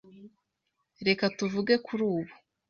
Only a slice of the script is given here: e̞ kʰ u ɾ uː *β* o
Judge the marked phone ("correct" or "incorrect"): correct